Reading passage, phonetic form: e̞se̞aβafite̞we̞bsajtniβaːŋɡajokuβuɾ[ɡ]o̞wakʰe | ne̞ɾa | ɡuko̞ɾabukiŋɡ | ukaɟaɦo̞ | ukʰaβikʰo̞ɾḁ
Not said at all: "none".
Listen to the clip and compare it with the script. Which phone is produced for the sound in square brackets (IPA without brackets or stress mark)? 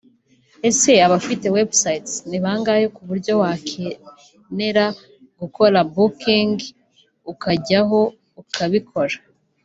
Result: ɟ